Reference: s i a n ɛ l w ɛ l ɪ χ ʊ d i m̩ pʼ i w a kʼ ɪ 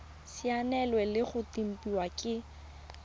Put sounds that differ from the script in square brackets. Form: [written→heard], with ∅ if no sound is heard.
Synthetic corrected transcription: s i a n ɛ l w ɛ l ɪ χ ʊ [d→t] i m̩ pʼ i w a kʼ ɪ